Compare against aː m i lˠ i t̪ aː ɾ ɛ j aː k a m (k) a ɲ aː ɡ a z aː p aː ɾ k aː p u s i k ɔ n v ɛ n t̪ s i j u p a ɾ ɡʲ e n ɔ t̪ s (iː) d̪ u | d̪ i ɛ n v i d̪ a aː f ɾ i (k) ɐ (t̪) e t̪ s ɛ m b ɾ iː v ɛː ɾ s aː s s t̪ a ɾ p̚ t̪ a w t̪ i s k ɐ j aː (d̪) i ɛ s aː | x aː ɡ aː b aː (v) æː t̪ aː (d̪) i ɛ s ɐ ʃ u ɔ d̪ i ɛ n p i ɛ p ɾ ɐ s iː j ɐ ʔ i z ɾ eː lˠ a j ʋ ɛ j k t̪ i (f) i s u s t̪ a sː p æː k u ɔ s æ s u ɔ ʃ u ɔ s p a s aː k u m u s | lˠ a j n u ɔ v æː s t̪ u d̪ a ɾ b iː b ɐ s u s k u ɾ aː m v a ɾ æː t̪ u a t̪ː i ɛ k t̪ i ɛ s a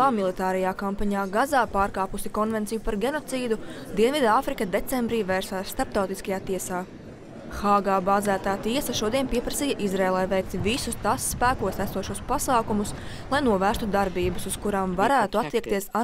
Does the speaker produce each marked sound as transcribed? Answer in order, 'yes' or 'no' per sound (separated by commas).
no, yes, yes, no, no, no, no, no